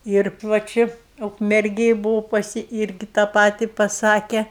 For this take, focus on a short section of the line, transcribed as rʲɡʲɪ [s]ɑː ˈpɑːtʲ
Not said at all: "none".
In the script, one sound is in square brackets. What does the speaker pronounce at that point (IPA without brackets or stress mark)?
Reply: t